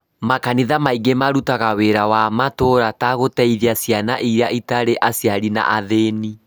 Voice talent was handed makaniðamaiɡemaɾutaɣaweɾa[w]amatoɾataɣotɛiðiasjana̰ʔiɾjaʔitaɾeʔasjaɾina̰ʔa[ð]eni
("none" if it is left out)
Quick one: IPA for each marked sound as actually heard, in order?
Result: w, ð

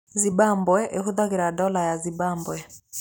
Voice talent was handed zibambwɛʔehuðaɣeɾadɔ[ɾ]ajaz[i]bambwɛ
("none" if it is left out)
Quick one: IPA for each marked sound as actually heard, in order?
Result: l, i

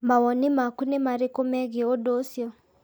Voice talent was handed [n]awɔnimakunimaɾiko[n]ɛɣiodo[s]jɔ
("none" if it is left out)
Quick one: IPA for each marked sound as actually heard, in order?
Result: m, m, s

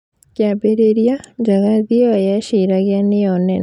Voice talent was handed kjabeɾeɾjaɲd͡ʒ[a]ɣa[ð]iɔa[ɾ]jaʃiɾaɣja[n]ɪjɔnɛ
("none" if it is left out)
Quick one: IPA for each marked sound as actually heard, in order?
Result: a, ð, none, n

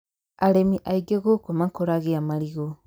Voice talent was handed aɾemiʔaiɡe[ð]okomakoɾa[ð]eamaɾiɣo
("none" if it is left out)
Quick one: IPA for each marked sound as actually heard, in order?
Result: ɣ, ɣ

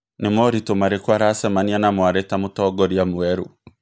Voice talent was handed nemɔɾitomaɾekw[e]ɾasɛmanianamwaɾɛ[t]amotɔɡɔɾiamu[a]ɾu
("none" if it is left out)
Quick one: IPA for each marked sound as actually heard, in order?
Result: a, t, ɛ

